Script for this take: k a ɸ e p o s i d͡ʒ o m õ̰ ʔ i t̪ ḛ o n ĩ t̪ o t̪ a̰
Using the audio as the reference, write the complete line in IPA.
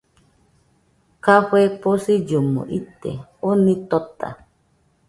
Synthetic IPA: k a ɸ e p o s i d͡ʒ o m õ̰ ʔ i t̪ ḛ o n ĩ t̪ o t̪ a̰